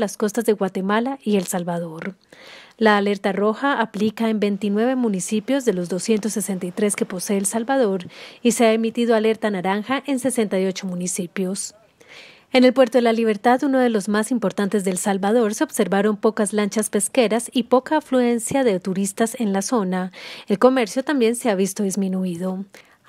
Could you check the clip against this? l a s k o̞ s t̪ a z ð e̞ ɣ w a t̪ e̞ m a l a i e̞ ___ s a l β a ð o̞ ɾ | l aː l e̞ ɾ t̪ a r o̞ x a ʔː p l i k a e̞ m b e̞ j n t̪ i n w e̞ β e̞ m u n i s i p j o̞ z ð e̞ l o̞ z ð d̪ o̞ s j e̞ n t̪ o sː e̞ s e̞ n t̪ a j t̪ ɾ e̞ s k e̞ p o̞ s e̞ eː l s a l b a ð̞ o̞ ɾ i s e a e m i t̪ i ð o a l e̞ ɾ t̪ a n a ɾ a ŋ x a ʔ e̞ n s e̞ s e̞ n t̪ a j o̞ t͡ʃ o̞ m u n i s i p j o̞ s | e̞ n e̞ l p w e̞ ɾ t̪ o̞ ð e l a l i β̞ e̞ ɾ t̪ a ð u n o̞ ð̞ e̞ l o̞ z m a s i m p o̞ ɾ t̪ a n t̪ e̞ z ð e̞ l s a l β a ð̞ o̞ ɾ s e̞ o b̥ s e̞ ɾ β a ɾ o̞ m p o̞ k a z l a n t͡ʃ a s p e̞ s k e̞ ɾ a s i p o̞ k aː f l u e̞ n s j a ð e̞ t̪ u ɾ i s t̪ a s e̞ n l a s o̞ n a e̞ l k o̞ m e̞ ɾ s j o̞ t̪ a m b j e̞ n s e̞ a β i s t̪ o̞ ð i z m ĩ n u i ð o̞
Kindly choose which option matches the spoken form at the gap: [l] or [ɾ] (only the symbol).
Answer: l